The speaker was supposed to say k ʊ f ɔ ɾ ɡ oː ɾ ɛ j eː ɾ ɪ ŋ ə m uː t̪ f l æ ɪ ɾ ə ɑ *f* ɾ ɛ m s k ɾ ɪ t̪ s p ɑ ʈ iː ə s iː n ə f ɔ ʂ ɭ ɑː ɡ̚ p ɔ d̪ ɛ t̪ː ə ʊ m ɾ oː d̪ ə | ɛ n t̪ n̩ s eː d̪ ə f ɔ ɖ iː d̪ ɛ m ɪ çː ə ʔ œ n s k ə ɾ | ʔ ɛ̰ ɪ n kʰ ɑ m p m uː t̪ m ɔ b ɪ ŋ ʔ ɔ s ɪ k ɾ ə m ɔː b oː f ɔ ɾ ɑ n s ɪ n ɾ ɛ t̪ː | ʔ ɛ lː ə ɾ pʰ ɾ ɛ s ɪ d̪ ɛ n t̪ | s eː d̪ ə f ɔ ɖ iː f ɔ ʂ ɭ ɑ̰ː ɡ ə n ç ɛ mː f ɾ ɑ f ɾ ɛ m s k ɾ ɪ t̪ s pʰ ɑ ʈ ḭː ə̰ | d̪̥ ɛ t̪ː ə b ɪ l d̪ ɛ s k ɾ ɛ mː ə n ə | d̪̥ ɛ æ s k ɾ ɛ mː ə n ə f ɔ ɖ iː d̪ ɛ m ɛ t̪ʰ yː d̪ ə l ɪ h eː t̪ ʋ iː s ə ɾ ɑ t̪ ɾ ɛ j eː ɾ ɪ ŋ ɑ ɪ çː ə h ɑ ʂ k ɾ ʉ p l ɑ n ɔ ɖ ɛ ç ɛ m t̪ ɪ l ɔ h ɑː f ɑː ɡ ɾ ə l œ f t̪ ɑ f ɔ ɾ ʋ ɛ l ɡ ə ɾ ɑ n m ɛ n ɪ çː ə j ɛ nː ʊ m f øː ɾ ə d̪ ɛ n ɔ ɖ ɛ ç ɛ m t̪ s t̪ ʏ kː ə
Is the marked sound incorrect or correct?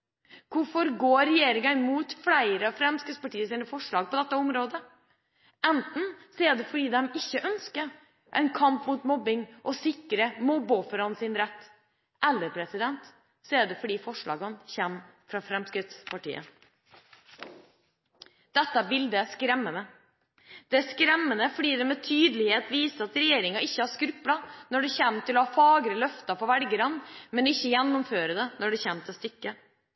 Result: correct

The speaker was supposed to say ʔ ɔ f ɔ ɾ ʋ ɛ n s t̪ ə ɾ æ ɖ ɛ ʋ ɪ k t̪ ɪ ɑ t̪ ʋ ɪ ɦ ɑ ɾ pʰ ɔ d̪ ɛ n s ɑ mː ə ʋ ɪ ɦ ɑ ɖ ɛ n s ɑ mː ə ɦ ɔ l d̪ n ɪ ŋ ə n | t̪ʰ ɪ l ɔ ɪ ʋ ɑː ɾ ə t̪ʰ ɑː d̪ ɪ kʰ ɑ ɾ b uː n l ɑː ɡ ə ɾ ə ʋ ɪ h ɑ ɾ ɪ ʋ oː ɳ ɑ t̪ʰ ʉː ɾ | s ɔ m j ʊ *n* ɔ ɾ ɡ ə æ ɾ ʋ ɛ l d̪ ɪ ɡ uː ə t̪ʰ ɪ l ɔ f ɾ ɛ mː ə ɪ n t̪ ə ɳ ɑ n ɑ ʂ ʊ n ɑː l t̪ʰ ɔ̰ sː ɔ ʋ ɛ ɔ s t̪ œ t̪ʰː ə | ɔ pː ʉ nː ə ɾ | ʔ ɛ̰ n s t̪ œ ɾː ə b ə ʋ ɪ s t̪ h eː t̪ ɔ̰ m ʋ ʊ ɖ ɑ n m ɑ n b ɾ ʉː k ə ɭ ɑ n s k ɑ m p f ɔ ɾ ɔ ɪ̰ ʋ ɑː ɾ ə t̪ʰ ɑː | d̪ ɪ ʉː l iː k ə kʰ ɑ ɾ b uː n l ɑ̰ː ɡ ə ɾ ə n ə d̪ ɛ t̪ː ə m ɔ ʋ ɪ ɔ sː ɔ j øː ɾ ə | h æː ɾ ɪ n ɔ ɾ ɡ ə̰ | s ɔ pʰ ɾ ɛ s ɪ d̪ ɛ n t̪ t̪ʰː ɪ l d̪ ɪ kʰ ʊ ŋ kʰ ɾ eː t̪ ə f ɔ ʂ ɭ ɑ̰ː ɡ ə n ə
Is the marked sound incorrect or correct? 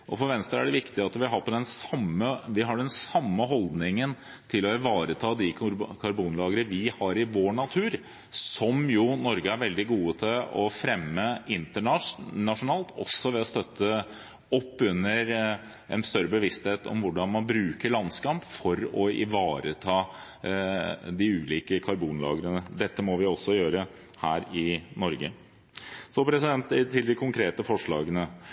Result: correct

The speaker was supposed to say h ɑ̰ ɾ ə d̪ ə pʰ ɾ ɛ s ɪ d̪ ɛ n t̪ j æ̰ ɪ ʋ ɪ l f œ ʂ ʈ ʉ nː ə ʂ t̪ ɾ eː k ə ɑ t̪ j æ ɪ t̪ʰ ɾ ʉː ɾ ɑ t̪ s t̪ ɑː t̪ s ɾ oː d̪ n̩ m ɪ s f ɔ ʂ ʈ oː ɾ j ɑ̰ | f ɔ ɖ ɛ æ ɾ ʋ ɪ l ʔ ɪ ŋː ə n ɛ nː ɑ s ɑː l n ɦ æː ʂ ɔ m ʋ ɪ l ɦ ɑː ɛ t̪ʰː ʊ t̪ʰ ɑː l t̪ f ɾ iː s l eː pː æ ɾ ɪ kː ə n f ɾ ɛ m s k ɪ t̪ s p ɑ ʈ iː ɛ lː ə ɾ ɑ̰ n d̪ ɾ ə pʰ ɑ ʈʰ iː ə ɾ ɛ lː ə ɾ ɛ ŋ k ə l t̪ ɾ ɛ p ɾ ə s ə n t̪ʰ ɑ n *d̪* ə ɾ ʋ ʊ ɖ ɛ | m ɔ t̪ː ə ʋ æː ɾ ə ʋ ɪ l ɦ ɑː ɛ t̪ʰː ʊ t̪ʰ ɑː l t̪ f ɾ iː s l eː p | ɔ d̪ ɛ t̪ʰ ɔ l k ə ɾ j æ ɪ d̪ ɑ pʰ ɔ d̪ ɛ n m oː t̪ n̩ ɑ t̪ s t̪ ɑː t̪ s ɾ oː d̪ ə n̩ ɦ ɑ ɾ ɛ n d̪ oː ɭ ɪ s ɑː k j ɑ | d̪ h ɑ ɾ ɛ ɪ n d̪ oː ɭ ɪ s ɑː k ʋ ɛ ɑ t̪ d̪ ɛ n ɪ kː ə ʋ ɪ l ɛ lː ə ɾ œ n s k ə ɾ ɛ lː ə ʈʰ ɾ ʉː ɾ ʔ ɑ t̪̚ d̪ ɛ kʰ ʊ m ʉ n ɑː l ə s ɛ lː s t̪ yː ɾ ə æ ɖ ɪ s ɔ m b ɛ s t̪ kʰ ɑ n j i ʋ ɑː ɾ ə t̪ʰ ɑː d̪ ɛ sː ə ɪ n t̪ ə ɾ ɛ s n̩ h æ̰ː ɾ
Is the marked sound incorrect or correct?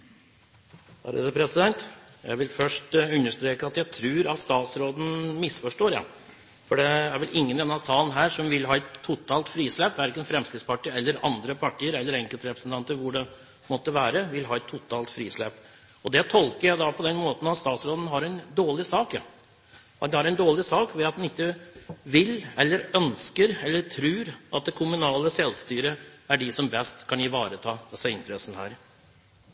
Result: incorrect: t̪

